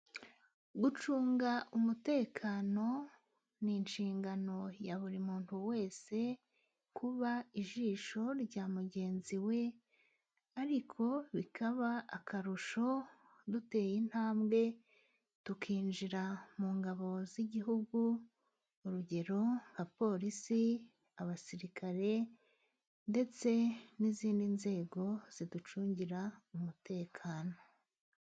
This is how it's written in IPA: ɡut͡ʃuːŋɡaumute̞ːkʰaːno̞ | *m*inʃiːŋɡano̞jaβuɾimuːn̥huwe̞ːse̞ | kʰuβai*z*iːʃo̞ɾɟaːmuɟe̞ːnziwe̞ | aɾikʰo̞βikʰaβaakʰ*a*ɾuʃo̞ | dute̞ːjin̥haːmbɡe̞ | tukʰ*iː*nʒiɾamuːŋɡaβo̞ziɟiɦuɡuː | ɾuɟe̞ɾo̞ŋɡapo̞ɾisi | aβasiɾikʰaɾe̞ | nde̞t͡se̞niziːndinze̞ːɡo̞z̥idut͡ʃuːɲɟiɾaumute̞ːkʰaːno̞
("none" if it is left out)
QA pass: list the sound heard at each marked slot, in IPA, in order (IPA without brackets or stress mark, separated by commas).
n, ʒ, a, iː